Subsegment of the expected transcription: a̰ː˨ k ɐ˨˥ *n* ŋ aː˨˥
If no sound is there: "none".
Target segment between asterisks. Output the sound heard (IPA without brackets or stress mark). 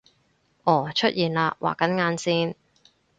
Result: n